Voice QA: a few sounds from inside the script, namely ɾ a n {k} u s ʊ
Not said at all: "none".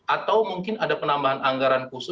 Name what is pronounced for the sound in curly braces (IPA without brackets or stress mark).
k